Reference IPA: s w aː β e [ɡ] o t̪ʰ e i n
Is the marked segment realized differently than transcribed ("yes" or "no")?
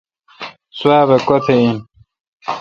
yes